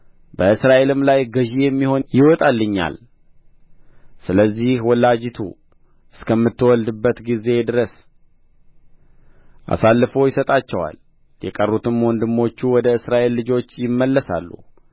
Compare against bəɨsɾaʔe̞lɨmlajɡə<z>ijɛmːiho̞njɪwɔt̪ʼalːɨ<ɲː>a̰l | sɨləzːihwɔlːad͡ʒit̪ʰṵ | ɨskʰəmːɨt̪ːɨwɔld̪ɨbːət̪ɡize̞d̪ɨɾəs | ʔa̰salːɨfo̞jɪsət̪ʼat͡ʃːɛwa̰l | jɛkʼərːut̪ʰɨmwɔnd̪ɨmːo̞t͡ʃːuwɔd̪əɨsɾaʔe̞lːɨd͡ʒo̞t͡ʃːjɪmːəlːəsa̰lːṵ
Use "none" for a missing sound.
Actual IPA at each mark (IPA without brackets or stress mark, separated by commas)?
ʒ, ɲː